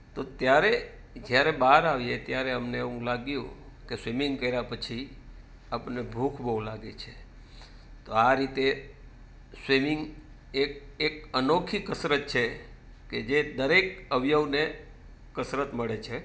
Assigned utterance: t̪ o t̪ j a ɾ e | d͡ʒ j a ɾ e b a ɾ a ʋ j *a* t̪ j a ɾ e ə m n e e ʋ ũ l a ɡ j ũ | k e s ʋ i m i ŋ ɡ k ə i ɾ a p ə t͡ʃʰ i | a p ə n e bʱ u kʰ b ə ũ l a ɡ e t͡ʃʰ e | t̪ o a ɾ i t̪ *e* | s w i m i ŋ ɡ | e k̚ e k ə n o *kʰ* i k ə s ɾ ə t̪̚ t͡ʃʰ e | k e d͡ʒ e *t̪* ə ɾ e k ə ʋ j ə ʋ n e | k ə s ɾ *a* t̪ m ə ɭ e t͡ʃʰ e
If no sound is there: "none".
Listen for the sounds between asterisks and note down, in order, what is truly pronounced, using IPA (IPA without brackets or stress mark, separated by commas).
e, e, kʰ, d̪, ə